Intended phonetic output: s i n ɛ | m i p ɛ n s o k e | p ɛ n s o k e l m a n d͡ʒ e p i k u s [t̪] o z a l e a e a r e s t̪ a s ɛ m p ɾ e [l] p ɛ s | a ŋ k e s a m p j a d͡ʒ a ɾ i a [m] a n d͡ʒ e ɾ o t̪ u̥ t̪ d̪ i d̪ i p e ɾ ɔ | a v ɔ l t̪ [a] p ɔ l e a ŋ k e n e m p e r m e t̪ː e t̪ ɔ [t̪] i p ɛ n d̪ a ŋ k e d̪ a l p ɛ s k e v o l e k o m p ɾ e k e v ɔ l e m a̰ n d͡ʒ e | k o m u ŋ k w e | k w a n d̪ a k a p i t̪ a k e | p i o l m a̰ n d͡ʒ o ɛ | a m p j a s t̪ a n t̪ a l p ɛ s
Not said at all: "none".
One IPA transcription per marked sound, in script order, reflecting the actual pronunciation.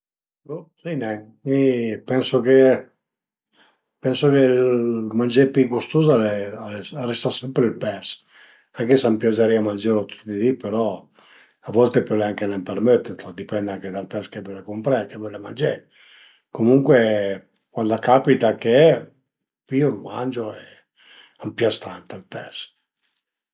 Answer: t̪, l, m, e, d̪

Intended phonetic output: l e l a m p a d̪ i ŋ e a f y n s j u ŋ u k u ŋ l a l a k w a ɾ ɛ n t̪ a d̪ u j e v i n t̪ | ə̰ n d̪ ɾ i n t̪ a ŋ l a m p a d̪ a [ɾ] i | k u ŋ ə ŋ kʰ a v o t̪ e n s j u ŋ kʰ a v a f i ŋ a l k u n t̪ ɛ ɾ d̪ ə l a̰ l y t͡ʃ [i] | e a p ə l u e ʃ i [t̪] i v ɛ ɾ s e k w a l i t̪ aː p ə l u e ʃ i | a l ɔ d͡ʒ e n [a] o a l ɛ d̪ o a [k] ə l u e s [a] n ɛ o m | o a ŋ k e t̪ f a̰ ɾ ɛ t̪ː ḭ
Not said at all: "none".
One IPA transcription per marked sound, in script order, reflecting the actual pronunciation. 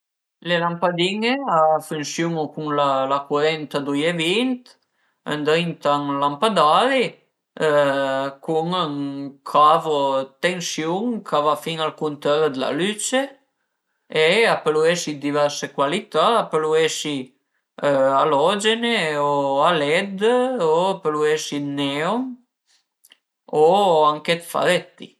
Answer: ɾ, e, d̪, e, p, i

